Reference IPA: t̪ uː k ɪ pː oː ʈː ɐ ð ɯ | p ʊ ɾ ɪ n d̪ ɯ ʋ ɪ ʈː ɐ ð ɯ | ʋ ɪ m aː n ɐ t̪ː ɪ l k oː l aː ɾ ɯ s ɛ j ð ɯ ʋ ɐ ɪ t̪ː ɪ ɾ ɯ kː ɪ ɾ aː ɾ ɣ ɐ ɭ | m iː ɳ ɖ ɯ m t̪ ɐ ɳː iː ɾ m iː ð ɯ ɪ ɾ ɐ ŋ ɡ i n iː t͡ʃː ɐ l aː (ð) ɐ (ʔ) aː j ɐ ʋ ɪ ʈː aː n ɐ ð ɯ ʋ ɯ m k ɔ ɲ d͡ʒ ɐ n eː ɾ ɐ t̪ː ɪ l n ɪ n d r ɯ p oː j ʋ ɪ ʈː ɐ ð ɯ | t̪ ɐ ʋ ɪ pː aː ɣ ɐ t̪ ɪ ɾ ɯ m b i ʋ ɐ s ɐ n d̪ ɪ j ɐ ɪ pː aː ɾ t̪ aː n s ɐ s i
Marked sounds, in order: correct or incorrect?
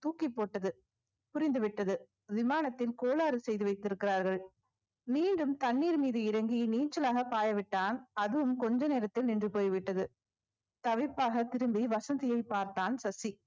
incorrect: ɣ, incorrect: p

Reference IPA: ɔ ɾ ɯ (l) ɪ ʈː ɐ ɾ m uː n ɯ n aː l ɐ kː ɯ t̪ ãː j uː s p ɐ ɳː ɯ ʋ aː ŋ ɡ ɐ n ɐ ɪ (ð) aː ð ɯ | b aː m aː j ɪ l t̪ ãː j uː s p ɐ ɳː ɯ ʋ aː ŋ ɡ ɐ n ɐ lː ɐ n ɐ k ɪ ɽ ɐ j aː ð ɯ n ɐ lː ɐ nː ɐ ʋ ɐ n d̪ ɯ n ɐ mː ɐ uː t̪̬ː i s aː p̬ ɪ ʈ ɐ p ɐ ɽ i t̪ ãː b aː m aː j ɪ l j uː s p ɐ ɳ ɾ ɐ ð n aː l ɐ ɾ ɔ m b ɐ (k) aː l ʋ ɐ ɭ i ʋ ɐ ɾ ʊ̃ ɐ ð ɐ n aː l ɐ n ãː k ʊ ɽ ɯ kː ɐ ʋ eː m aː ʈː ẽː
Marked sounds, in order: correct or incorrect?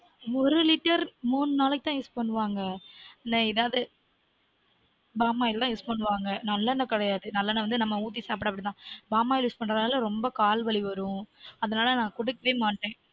correct, correct, correct

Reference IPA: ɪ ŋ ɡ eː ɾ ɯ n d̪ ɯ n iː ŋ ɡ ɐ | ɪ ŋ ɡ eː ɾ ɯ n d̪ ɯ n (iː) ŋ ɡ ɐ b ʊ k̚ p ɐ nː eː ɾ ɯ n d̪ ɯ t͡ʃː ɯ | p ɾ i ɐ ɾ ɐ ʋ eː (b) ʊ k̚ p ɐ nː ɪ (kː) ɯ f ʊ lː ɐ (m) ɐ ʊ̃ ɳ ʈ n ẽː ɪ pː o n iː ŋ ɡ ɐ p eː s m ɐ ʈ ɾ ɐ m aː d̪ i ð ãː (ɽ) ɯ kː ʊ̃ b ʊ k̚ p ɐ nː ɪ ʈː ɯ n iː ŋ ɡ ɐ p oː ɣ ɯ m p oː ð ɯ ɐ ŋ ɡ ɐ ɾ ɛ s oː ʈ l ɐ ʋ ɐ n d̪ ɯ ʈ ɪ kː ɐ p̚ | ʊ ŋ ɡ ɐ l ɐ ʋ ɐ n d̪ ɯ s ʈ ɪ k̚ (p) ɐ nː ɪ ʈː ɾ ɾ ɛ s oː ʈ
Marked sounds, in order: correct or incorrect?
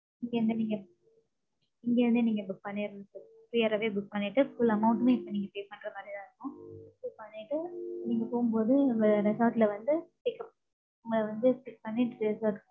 correct, correct, incorrect: ʈː, correct, incorrect: ɾ, correct

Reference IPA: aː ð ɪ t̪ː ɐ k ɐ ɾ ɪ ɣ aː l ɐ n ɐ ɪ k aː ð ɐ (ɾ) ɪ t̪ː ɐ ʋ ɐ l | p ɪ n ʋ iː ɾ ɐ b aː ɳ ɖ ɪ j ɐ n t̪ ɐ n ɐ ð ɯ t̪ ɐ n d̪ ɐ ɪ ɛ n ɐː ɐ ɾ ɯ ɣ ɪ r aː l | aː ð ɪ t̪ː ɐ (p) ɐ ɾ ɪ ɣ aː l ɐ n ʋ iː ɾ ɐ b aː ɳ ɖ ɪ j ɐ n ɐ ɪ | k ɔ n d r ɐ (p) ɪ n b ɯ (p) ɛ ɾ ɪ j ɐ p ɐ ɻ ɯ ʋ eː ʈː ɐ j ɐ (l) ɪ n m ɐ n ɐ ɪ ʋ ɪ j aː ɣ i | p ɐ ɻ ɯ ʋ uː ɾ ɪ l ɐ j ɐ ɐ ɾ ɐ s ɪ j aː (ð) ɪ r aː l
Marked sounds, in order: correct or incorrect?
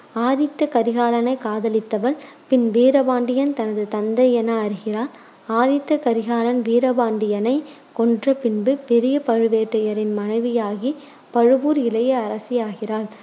incorrect: l, incorrect: k, correct, correct, incorrect: ɾ, incorrect: ɣ

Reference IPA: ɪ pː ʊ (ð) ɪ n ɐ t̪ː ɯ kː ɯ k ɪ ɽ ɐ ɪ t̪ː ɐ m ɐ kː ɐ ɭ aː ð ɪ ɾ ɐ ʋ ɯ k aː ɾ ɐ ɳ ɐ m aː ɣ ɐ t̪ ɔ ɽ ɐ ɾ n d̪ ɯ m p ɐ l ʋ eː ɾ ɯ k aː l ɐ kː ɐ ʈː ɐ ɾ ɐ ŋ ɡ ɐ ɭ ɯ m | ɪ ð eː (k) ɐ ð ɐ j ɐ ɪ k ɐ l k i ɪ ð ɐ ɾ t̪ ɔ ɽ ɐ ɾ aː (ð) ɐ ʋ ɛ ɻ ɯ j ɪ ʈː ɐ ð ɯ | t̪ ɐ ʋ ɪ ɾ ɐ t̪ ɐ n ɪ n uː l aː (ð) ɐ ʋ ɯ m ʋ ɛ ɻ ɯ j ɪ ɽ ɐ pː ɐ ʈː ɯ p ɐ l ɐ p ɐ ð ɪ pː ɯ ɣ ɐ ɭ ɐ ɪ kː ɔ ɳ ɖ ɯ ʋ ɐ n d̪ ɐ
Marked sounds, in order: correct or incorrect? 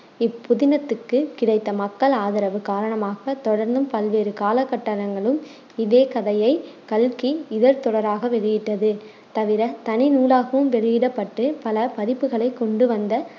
correct, correct, incorrect: ɣ, incorrect: ɣ

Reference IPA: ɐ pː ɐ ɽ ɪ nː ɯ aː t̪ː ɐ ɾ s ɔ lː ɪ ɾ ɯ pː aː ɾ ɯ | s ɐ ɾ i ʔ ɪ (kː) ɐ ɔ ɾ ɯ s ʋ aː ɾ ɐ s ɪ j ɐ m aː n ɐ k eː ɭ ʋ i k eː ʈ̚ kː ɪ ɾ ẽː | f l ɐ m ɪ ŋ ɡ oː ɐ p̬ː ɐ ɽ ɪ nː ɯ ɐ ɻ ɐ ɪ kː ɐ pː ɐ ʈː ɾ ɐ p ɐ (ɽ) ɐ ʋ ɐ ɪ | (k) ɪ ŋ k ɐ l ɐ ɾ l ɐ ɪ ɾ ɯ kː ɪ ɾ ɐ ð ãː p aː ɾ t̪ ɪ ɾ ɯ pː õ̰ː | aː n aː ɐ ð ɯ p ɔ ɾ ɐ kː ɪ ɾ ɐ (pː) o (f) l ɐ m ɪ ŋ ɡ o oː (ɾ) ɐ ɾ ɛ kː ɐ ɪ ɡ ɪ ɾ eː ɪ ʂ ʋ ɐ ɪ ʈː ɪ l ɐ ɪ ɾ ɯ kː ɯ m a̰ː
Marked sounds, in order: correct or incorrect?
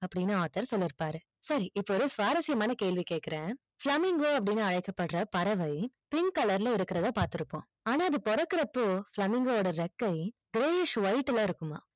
incorrect: pː, incorrect: ɾ, incorrect: p, correct, correct, incorrect: ɽ

